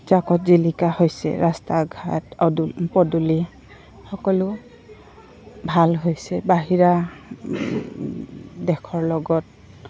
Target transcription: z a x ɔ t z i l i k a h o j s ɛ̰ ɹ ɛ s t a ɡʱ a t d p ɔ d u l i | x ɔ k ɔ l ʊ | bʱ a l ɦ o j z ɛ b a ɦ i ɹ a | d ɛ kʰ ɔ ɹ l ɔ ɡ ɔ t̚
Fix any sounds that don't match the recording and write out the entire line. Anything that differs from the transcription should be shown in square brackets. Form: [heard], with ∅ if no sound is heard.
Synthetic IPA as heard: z a [k] ɔ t z i l i k a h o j s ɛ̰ ɹ [a] s t a ɡʱ a t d p ɔ d u l i | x ɔ k ɔ l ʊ | bʱ a l ɦ o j [s] ɛ b a ɦ i ɹ a | d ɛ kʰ ɔ ɹ l ɔ ɡ ɔ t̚